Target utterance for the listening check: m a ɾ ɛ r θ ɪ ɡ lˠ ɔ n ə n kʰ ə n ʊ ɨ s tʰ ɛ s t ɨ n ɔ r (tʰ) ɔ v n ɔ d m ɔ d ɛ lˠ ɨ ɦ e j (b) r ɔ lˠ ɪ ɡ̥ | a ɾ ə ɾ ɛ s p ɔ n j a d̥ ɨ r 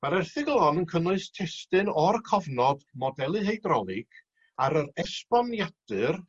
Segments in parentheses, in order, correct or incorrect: incorrect: kʰ, incorrect: d

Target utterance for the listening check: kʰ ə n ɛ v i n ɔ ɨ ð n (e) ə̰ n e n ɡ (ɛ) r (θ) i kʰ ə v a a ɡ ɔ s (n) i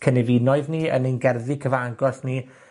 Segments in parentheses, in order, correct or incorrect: incorrect: i, correct, incorrect: ð, correct

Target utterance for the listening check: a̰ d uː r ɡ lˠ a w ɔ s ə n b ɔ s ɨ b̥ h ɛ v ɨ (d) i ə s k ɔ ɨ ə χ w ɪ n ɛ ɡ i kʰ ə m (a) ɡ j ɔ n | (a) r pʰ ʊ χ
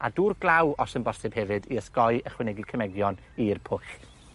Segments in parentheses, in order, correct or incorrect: correct, incorrect: ɛ, incorrect: i

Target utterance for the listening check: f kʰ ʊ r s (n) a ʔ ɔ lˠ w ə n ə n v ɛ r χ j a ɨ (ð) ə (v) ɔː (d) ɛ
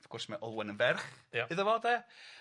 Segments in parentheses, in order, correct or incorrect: incorrect: m, correct, correct, correct

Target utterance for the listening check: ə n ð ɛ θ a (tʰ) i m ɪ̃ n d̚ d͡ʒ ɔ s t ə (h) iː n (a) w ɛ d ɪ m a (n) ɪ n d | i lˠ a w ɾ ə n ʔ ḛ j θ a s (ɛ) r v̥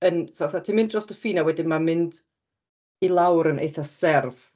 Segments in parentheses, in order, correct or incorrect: correct, incorrect: f, correct, incorrect: m, correct

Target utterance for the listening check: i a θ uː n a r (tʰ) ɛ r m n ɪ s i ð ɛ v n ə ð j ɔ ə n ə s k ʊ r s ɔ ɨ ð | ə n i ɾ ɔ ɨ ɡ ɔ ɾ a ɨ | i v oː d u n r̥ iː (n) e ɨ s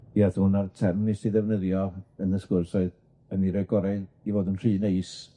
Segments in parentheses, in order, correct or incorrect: correct, correct

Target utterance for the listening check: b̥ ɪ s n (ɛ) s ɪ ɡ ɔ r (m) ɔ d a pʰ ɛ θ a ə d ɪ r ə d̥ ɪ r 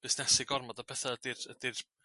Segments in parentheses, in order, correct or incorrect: correct, correct

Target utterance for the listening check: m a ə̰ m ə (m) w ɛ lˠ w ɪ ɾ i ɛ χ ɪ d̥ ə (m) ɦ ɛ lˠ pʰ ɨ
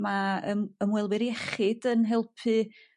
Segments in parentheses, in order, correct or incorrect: correct, incorrect: n

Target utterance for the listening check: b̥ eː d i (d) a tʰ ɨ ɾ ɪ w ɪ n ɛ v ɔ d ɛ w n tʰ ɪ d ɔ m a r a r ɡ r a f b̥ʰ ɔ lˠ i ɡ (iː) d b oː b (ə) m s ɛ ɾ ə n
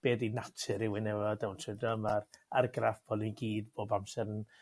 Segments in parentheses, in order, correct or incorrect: incorrect: n, correct, incorrect: a

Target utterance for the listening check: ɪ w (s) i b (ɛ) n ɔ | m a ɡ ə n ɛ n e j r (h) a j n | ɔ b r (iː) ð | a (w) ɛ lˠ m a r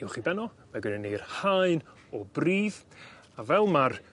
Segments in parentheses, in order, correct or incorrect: incorrect: χ, correct, correct, correct, incorrect: v

